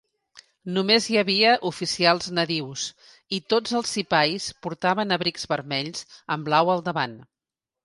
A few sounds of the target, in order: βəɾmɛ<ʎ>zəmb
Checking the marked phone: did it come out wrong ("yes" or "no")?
no